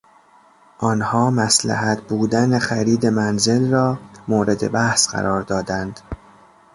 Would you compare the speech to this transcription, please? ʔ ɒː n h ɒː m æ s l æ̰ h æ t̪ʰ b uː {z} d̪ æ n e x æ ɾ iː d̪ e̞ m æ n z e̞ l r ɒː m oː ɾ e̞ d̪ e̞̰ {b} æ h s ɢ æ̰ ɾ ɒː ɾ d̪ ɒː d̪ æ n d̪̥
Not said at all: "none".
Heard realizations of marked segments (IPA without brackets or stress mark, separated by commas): none, b